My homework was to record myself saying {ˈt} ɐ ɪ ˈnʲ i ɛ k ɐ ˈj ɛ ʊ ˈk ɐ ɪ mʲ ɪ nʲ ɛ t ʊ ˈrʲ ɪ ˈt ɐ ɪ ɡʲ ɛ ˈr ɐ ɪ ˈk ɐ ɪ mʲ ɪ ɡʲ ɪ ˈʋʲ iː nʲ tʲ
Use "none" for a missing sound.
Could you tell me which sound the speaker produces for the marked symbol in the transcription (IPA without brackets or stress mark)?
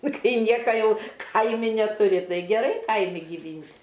k